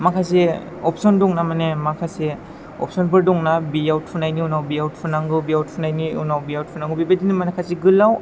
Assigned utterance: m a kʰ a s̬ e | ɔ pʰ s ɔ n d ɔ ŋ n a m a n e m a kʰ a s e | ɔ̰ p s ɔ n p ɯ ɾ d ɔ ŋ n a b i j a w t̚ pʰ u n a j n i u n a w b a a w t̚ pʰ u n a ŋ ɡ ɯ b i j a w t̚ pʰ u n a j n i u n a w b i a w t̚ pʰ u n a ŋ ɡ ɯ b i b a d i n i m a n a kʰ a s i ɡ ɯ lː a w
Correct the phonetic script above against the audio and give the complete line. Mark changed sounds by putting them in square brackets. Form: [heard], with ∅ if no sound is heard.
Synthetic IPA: m a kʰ a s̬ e | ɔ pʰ s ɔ n d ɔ ŋ n a m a n e m a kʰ a s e | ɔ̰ p s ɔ n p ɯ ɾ d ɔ ŋ n a b i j a w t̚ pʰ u n a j n i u n a w b [i] a w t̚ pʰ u n a ŋ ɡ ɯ b i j a w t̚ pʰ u n a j n i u n a w b i a w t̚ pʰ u n a ŋ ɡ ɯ b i b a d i n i m a n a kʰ a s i ɡ ɯ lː a w